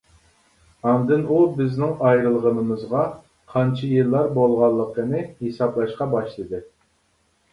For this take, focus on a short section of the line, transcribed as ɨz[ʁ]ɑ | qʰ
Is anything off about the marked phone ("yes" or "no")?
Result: no